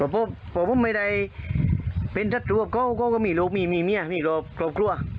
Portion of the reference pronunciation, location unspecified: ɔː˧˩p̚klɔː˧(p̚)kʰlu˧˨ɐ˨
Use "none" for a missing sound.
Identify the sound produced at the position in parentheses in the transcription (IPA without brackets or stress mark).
p̚